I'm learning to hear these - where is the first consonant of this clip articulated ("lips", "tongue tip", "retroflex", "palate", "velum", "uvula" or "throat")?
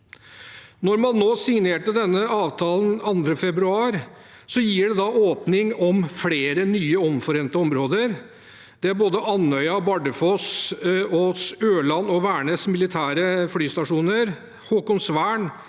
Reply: tongue tip